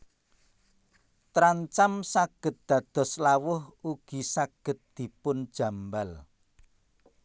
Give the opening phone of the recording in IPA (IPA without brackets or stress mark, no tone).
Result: t̪